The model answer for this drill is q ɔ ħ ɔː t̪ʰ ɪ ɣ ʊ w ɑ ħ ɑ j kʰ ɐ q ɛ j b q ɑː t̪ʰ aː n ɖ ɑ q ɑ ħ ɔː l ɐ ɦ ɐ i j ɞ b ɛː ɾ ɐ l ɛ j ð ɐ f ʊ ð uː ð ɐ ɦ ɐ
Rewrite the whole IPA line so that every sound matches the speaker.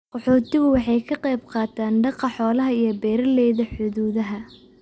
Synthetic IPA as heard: q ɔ ħ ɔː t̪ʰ ɪ ɣ ʊ w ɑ ħ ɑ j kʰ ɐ q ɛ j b q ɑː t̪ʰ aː n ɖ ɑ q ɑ ħ ɔː l ɐ ɦ ɐ i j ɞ b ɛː ɾ ɐ l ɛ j ð ɐ ħ ʊ ð uː ð ɐ ɦ ɐ